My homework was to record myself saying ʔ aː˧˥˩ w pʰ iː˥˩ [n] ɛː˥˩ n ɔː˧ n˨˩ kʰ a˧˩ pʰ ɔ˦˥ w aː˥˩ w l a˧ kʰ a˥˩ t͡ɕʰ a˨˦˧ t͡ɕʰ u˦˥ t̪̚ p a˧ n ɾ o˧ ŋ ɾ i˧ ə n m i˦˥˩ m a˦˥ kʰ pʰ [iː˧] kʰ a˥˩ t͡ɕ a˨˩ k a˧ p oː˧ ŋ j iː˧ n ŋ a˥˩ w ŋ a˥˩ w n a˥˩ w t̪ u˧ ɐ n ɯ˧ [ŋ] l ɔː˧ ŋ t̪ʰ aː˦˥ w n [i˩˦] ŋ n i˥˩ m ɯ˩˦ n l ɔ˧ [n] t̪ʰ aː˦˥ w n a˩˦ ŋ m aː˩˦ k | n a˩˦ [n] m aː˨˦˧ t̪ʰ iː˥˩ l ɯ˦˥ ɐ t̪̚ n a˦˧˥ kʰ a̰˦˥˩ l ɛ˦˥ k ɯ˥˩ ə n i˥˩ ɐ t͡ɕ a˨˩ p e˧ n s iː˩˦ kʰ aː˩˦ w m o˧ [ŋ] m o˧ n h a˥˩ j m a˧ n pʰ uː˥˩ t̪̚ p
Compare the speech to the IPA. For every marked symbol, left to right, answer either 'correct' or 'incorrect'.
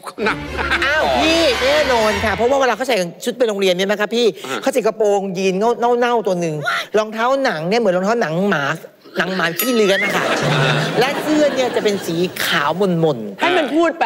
correct, incorrect, correct, incorrect, incorrect, incorrect, incorrect

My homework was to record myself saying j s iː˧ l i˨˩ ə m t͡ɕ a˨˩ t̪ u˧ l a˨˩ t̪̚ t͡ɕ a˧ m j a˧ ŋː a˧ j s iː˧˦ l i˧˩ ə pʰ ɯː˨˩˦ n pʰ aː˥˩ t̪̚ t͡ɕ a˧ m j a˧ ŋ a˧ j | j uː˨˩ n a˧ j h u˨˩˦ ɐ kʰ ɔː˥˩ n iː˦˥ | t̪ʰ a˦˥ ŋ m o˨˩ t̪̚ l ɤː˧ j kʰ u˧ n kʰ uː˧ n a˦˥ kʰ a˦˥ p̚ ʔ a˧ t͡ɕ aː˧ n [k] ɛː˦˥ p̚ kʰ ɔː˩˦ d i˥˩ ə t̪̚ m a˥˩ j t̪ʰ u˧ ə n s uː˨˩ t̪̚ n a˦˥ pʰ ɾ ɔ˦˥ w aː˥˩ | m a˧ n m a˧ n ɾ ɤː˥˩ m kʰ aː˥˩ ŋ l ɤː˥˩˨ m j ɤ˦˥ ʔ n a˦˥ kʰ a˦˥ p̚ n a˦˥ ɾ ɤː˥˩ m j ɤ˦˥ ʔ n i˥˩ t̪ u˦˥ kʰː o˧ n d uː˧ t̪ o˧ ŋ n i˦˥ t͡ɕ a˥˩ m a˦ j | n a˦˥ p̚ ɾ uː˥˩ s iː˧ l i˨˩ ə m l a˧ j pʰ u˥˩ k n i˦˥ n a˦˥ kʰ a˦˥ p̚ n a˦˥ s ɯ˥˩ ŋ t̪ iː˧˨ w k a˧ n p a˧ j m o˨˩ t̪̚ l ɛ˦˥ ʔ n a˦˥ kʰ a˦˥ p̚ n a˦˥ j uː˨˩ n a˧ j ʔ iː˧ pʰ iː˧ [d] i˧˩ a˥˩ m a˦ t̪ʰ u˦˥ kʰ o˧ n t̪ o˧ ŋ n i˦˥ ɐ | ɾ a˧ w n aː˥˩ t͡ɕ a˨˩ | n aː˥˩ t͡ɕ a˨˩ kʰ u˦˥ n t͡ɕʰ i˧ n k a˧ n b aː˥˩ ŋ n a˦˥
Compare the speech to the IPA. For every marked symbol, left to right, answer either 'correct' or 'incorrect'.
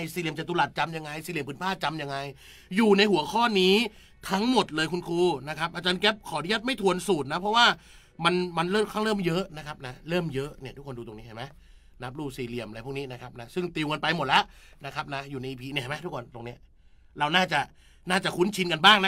correct, incorrect

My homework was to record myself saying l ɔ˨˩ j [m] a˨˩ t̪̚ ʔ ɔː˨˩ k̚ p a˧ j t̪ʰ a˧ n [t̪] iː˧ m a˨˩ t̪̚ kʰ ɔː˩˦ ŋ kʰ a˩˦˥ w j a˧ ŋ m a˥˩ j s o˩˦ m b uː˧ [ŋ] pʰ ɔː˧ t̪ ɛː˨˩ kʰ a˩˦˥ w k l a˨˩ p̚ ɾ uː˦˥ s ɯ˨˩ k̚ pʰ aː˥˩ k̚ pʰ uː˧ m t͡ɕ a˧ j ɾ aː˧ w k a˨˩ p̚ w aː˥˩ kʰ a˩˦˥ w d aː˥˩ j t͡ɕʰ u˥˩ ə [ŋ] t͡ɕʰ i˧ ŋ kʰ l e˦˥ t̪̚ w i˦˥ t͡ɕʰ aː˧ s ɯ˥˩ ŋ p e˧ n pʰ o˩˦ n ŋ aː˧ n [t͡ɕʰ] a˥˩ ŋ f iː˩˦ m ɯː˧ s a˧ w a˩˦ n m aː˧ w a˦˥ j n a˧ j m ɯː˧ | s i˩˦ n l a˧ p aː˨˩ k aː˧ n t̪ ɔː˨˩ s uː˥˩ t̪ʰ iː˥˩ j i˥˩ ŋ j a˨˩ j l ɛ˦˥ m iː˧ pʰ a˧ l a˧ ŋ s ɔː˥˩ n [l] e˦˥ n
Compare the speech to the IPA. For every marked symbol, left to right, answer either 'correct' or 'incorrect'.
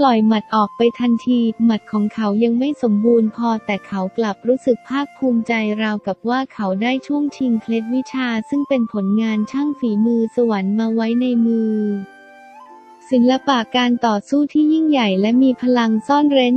correct, incorrect, incorrect, correct, correct, incorrect

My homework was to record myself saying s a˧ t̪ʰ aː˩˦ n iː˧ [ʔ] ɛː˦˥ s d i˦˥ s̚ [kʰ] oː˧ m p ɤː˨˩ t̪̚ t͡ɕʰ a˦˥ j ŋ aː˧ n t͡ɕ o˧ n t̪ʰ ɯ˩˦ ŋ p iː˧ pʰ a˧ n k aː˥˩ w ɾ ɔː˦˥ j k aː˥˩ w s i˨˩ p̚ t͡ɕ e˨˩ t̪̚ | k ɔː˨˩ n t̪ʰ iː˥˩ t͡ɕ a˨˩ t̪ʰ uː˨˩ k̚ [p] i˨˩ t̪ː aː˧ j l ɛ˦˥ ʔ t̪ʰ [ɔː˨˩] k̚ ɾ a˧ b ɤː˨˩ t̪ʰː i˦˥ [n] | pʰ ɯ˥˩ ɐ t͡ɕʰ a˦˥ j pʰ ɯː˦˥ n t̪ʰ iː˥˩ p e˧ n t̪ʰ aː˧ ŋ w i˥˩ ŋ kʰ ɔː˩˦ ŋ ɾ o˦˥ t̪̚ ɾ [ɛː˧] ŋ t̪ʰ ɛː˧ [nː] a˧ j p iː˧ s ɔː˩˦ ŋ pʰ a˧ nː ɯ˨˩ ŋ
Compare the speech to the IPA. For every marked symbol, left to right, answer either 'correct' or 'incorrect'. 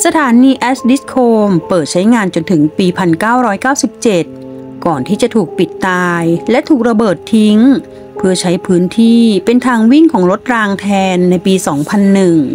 correct, correct, correct, incorrect, incorrect, incorrect, correct

